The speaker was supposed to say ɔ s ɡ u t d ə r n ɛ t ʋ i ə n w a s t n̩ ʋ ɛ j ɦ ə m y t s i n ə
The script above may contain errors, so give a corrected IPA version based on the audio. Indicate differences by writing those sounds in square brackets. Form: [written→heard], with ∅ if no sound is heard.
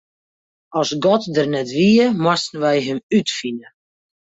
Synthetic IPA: ɔ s ɡ [u→ɔ] t d ə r n ɛ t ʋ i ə [n→m] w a s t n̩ ʋ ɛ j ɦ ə m y t [s→f] i n ə